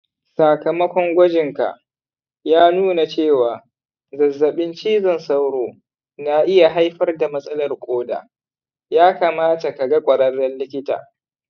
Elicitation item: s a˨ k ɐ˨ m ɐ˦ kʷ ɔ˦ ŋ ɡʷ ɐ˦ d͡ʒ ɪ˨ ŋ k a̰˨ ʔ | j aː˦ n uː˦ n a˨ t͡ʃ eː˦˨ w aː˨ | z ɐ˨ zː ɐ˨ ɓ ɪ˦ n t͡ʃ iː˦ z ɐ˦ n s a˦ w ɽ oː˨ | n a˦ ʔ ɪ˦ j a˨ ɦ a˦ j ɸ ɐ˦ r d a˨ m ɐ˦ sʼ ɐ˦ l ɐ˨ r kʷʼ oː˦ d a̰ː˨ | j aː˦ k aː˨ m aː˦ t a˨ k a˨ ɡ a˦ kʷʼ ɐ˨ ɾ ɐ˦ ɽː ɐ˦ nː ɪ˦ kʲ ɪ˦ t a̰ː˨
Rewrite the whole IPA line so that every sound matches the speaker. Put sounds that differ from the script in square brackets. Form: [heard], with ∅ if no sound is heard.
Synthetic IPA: s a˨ k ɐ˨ m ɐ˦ kʷ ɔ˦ ŋ ɡʷ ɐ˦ d͡ʒ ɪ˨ ŋ k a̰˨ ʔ | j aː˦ n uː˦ n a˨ t͡ʃ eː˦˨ w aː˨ | z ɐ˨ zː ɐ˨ ɓ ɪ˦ n t͡ʃ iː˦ z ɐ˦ n s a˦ w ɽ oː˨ | n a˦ ʔ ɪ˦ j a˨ ɦ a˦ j ɸ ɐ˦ r d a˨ m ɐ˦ sʼ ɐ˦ l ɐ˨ r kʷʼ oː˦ d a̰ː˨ | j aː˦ k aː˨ m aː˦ t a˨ k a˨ ɡ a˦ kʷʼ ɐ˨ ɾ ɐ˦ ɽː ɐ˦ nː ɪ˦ kʲ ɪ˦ t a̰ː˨